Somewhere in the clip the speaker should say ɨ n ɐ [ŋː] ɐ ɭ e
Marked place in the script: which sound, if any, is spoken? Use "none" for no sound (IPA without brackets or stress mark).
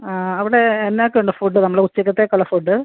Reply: mː